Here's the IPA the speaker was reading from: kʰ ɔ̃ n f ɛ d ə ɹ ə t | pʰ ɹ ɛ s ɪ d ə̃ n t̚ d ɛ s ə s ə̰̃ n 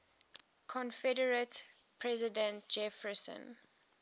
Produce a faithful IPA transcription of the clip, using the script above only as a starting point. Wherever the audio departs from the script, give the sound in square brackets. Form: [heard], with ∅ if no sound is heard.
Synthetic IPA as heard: kʰ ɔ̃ n f ɛ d ə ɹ ə t | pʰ ɹ ɛ [z] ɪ d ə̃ n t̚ [d͡ʒ] ɛ [f] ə s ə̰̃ n

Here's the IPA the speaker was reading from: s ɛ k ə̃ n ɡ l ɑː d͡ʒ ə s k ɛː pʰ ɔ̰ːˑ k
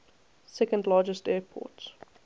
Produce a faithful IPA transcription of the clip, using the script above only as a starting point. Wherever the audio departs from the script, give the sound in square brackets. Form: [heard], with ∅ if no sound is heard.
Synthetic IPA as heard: s ɛ k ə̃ n [d] l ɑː d͡ʒ ə s [t] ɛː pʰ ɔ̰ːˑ [t]

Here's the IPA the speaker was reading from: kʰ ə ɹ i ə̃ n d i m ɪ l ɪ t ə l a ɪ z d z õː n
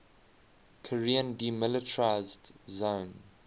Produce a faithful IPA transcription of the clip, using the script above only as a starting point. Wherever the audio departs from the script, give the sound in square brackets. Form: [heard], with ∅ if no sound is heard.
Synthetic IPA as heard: kʰ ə ɹ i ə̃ n d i m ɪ l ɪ t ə [ɹ] a ɪ z d z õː n

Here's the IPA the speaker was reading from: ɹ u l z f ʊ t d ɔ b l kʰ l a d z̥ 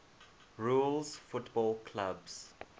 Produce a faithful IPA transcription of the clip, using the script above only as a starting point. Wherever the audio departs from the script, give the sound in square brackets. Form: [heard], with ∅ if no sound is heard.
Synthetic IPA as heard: ɹ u l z f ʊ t [b] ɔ [∅] l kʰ l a [b] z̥

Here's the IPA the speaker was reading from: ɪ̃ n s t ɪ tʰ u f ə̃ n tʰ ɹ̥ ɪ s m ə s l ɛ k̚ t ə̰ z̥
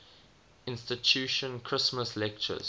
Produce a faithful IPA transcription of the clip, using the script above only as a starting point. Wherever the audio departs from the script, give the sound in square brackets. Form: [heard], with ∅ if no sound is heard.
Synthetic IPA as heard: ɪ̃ n s t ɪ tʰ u [ʃ] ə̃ n [kʰ] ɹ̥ ɪ s m ə s l ɛ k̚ [t͡ʃ] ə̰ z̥

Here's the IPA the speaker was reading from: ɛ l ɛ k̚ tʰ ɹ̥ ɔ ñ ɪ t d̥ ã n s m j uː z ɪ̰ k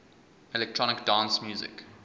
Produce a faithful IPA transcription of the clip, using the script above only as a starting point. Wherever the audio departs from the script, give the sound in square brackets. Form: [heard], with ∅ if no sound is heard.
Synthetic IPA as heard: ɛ l ɛ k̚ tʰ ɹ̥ ɔ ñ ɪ [k] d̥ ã n s m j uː z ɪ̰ k

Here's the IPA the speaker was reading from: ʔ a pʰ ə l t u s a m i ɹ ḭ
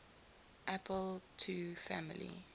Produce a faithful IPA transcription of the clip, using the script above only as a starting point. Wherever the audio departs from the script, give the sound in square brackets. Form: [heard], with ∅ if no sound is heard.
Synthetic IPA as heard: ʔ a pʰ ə l [tʰ] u [f] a m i [l] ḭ

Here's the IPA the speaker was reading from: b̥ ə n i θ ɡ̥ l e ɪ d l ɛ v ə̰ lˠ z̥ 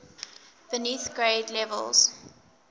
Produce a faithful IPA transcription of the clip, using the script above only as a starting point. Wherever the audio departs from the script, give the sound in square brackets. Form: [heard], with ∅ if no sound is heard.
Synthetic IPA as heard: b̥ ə n i θ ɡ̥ [ɹ] e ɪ d l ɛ v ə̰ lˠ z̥

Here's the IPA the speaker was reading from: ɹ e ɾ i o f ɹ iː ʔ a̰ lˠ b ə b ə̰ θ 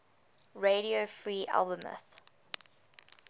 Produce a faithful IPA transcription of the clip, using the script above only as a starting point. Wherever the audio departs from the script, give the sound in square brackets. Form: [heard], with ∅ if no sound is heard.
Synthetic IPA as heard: ɹ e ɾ i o f ɹ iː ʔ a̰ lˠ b ə [m] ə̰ θ

